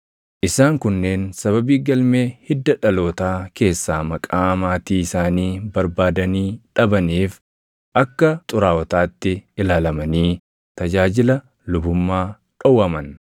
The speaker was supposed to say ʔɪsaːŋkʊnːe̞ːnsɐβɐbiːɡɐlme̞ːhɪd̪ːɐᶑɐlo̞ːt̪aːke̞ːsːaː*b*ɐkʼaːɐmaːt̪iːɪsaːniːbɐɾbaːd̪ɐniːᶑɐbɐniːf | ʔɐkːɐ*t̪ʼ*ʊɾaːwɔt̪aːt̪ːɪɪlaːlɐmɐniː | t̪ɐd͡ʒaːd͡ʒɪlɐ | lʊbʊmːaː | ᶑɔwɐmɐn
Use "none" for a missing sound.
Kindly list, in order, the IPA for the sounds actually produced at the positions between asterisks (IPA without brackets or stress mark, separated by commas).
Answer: m, t̪ʼ